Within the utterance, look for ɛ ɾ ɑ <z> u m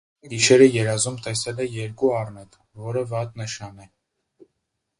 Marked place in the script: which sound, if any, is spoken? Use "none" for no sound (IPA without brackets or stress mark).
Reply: z